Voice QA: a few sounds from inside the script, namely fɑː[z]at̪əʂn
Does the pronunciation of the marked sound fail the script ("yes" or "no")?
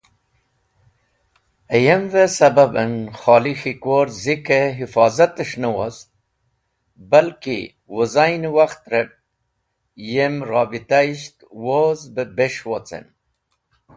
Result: no